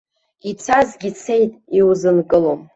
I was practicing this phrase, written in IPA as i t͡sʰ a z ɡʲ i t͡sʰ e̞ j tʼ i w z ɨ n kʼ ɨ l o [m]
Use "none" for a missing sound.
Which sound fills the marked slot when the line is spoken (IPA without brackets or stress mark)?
m